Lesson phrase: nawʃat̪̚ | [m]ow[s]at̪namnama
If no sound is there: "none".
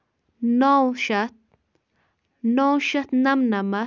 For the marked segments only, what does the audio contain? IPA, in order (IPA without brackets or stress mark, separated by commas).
n, ʃ